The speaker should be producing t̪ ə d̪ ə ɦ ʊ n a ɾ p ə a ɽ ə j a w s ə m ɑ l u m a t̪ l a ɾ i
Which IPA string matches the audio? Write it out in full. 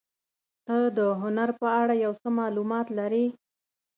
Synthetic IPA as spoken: t̪ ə d̪ ə ɦ ʊ n a ɾ p ə a ɽ a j a w s ə m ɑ l u m ɑ t̪ l a ɾ i